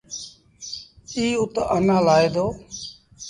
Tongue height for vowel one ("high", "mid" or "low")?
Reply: high